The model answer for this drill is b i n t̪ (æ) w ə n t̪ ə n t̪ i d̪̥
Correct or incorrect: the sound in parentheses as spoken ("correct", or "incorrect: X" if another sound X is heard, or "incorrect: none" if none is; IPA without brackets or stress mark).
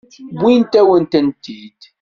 correct